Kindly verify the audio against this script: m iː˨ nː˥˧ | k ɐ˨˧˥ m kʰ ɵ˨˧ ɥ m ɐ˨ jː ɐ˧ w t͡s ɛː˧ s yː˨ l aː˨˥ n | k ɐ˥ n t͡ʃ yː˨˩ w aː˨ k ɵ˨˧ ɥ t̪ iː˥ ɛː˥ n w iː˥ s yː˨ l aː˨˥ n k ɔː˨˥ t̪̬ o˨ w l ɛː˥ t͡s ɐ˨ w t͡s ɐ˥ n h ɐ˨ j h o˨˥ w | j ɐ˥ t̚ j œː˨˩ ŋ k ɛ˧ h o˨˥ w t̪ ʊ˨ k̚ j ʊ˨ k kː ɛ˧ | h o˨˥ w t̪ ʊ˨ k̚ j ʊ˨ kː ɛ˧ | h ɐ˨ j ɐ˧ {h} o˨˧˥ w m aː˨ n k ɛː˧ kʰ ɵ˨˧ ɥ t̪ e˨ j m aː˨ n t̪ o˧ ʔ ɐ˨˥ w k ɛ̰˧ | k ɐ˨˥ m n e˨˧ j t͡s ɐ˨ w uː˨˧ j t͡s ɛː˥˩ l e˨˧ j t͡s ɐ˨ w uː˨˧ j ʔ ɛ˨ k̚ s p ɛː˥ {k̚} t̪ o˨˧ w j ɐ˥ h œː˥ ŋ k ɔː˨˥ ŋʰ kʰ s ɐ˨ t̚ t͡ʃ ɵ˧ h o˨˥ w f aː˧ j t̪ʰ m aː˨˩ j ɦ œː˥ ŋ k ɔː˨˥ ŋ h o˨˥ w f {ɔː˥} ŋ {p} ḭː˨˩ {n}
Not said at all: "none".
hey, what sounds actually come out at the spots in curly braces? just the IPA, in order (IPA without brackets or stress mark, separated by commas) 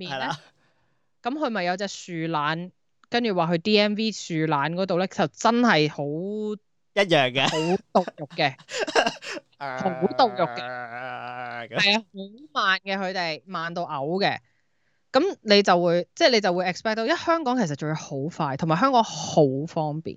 h, k̚, ɔː˥, p, n